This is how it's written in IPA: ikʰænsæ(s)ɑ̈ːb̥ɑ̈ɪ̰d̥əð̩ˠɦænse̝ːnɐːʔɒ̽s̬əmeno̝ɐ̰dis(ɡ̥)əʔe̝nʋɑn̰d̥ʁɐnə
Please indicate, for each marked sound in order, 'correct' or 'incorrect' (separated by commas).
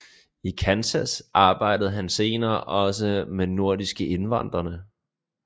correct, correct